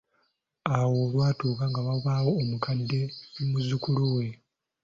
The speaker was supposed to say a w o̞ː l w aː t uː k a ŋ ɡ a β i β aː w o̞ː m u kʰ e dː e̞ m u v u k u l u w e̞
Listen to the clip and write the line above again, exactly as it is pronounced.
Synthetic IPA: a w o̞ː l w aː t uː k a ŋ ɡ a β a β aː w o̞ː m u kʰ a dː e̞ m u z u k u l u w e̞

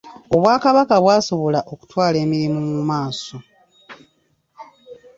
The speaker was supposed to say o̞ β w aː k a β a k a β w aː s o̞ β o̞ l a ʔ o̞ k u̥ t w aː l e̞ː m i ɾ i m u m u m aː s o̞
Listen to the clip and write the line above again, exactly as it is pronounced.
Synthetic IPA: o̞ β w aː k a β a k a β w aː s o̞ β o̞ l a ʔ o̞ k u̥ t w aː l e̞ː m i ɾ i m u m u m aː s o̞

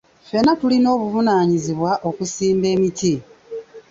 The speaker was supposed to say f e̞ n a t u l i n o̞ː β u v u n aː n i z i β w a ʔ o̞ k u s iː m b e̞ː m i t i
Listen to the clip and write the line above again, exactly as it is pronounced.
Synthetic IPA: f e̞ n a t u l i n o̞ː β u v u n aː ɲ i z i β w a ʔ o̞ k u s iː m b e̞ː m i t i

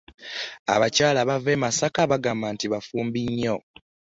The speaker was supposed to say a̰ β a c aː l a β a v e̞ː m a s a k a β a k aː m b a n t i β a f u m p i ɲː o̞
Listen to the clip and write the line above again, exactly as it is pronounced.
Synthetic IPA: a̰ β a c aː l a β a v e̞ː m a s a k a β a ɡ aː m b a n t i β a f uː m b i ɲː o̞

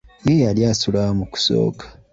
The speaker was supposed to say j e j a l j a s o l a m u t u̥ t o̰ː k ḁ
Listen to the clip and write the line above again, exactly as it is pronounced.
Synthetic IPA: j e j a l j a s u l a m u k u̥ s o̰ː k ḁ

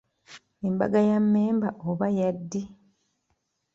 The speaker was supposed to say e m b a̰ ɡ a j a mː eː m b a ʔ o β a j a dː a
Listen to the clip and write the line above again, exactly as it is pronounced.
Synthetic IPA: e m b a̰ ɡ a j a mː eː m b a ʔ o β a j a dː i

